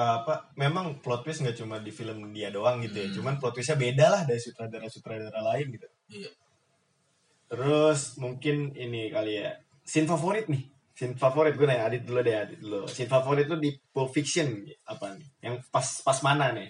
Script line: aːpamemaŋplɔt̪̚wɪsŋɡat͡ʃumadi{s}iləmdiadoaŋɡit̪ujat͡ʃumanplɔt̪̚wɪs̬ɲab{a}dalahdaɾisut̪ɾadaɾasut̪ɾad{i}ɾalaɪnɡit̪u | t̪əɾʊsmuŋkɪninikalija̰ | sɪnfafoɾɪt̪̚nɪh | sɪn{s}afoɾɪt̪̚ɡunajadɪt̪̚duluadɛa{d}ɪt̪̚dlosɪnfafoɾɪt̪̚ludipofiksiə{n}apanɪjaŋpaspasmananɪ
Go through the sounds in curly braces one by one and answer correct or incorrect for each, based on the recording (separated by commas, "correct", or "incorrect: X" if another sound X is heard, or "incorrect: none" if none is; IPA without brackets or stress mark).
incorrect: f, incorrect: e, incorrect: a, incorrect: f, correct, correct